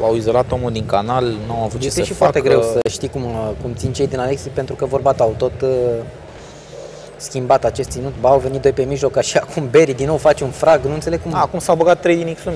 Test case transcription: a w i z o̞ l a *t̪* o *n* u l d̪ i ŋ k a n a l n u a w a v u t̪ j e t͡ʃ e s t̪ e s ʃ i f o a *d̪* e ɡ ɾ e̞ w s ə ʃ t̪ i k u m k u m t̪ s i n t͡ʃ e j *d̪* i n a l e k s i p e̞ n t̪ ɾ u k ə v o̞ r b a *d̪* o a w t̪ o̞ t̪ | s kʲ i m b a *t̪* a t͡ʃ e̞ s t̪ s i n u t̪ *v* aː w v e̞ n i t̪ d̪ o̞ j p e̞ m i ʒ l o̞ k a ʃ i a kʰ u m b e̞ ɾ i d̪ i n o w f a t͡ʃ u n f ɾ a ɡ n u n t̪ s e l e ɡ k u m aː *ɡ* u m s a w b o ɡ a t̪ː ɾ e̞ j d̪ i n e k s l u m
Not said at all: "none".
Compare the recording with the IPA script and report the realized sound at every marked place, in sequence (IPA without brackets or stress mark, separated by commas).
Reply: t̪, m, t̪, d̪, t̪, t̪, b, k